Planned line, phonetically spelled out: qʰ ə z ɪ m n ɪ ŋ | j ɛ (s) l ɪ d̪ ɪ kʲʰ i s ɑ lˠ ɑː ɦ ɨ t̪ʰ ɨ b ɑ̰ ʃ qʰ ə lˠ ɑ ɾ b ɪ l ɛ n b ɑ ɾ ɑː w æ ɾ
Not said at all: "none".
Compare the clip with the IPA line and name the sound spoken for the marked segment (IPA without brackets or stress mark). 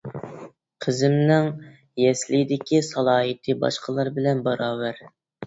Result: s